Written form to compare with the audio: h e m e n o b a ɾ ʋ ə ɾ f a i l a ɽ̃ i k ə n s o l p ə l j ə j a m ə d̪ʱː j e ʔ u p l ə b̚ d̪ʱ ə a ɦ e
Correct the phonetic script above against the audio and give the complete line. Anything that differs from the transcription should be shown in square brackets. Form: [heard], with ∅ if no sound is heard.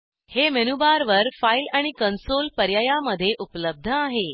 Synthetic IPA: h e m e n [u] b a ɾ ʋ ə ɾ f a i l a ɽ̃ i k ə n s o l p ə [ɾ] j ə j a m ə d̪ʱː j e ʔ u p l ə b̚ d̪ʱ ə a ɦ e